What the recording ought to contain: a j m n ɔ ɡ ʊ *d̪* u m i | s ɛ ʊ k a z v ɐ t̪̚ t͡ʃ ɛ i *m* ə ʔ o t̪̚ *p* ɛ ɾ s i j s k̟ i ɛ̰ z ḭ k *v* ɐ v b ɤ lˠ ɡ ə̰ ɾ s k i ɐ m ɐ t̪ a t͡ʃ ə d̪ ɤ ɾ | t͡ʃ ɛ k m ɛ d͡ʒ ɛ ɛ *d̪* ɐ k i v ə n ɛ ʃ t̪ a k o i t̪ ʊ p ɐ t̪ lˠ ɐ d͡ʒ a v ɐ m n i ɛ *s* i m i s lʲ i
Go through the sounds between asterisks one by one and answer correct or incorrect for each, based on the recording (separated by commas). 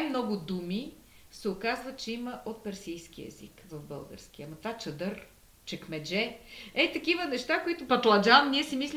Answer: correct, correct, correct, correct, incorrect, correct